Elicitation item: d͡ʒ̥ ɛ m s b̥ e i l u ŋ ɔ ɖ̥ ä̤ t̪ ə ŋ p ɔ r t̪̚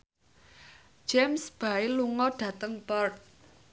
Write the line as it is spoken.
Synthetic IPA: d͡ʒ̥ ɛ m s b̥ a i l u ŋ ɔ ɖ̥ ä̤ t̪ ə ŋ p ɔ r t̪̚